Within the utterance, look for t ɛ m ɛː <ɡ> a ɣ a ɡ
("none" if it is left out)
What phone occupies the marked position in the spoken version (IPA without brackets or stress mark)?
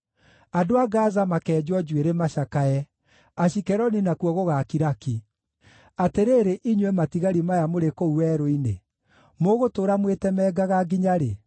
ɡ